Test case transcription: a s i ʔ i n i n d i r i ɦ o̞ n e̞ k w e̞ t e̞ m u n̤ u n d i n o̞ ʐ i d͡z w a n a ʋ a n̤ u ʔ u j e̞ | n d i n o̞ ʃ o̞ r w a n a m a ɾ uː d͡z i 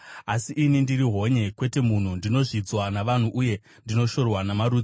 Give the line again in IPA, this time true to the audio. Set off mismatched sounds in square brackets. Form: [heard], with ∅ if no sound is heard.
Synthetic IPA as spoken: a s i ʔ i n i n d i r i ɦ o̞ [ɲ] e̞ k w e̞ t e̞ m u n̤ u n d i n o̞ ʐ i d͡z w a n a ʋ a n̤ u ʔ u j e̞ | n d i n o̞ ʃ o̞ r w a n a m a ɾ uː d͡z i